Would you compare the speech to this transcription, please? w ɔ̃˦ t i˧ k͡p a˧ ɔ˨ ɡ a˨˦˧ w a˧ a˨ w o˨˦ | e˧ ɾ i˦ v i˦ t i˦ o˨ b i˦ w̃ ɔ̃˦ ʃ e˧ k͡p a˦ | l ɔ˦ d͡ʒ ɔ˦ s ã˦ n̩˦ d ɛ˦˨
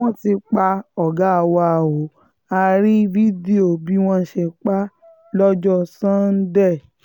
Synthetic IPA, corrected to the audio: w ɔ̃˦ t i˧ k͡p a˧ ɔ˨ ɡ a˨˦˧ w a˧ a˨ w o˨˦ | a˧ ɾ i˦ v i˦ d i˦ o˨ b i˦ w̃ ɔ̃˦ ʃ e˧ k͡p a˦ | l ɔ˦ d͡ʒ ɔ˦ s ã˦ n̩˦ d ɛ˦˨